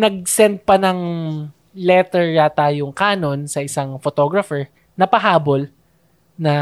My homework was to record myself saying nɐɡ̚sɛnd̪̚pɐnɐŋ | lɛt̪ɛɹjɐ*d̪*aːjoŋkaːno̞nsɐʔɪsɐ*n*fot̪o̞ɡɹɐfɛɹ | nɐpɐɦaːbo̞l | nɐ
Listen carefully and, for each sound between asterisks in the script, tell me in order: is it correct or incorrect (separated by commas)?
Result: incorrect, incorrect